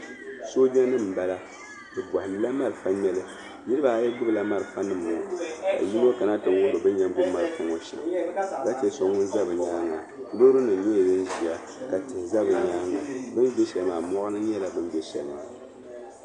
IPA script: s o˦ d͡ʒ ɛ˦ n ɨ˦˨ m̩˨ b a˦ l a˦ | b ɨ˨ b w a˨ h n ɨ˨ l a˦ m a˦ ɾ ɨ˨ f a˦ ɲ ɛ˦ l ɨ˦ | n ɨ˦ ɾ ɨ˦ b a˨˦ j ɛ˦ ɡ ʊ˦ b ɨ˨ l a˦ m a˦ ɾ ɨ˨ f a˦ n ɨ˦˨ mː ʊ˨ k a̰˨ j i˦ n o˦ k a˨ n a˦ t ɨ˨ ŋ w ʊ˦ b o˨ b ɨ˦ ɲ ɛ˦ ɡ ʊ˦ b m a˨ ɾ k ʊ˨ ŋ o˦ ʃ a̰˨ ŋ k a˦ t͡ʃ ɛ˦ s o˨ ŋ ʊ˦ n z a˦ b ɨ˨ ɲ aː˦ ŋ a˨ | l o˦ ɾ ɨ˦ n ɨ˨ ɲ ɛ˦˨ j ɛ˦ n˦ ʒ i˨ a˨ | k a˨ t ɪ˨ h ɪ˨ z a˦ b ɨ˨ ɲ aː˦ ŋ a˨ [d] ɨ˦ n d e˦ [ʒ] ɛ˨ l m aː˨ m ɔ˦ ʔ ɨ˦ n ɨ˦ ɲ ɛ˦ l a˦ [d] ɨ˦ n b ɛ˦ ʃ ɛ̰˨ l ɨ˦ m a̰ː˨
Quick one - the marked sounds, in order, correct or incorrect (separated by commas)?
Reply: incorrect, incorrect, incorrect